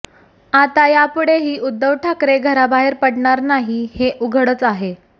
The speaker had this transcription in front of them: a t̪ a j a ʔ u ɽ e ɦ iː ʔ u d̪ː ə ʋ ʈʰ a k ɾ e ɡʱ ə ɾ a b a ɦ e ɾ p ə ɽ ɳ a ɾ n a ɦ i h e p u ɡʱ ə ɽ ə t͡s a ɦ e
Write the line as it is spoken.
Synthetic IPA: a t̪ a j a p u ɽ e ɦ iː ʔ u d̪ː ə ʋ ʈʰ a k ɾ e ɡʱ ə ɾ a b a ɦ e ɾ p ə ɽ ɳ a ɾ n a ɦ i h e ʔ u ɡʱ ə ɽ ə t͡s a ɦ e